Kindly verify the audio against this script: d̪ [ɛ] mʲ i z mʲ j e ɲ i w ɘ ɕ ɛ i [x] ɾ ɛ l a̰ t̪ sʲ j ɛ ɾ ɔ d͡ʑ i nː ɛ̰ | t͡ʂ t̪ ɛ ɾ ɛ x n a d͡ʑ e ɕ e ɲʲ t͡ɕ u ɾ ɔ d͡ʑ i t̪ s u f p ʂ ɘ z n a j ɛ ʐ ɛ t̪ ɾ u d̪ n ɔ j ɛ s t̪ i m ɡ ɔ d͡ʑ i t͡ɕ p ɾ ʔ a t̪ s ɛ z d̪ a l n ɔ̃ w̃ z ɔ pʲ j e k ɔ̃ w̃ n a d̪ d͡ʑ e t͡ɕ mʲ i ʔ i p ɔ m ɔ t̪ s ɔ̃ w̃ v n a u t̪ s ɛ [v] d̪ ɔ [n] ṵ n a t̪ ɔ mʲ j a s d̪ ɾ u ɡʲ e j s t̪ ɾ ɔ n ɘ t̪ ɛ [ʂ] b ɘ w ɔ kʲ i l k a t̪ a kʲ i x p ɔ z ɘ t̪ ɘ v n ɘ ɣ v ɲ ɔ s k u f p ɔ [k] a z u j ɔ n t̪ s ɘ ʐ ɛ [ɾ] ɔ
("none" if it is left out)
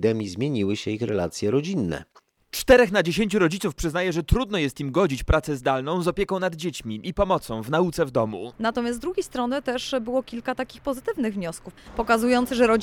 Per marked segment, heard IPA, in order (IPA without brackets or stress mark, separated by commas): ɛ, x, v, m, ʂ, k, ɾ